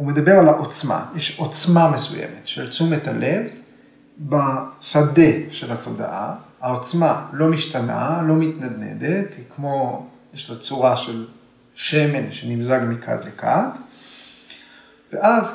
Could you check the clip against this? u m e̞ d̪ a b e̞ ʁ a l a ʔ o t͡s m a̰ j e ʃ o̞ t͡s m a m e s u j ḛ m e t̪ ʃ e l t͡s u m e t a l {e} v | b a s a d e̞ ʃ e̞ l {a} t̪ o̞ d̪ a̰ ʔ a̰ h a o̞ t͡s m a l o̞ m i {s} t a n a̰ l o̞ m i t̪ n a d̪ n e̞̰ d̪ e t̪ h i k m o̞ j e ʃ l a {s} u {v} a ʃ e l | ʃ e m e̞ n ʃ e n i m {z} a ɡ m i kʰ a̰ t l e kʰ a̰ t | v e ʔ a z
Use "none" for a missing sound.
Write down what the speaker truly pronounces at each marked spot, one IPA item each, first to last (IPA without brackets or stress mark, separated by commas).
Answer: e, a, ʃ, t͡s, ʁ, z